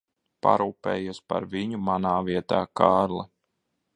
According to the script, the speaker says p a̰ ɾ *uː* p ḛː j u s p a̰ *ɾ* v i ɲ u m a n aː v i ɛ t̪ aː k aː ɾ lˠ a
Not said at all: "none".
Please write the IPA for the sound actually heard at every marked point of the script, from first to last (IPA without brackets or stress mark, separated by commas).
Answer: uː, ɾ